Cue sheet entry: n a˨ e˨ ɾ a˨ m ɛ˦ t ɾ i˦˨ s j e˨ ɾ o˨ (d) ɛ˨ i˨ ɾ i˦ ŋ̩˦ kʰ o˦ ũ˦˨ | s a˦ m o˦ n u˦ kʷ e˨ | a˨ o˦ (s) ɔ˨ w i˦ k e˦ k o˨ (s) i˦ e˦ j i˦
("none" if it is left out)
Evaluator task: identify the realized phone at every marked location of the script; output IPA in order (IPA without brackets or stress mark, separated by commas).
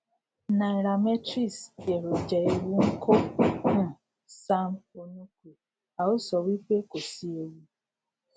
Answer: d͡ʒ, s, s